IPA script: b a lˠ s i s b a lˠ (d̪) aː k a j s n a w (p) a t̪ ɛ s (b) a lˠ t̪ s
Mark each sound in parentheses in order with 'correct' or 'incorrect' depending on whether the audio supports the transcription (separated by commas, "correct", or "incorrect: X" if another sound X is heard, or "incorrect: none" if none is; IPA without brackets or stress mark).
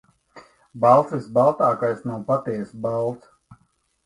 incorrect: t̪, correct, correct